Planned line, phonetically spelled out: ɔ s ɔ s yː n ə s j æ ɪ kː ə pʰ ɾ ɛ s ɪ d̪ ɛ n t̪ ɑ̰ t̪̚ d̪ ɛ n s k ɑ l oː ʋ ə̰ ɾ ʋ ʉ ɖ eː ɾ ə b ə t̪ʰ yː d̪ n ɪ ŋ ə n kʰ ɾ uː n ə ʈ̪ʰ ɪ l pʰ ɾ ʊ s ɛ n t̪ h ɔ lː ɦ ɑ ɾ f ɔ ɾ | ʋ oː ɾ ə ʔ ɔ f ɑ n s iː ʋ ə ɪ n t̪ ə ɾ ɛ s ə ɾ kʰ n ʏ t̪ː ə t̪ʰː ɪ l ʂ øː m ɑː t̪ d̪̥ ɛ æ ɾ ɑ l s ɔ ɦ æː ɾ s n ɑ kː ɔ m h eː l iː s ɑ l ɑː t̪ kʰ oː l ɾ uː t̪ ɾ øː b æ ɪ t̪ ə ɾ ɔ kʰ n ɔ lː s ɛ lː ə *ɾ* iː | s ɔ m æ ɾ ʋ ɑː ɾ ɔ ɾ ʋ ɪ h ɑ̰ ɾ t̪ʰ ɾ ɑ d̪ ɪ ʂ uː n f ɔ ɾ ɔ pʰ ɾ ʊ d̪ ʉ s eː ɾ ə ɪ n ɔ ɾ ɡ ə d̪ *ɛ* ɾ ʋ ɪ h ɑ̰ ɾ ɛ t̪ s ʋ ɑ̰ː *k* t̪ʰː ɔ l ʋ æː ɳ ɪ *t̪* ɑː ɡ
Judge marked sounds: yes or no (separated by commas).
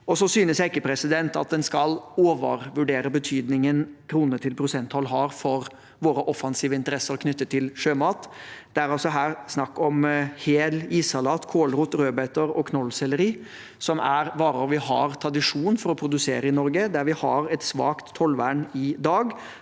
yes, no, yes, no